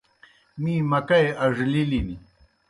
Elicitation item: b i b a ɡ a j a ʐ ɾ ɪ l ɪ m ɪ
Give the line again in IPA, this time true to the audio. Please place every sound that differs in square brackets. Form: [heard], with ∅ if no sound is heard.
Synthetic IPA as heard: [m] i [m] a [k] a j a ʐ [l] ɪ l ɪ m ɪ